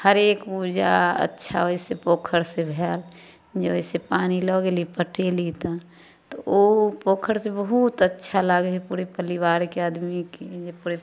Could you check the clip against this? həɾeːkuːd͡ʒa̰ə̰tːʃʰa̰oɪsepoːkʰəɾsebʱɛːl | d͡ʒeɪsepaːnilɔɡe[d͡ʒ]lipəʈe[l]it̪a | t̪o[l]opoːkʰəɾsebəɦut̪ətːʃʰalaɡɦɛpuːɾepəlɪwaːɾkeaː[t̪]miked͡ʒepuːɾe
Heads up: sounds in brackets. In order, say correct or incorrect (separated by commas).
incorrect, correct, incorrect, incorrect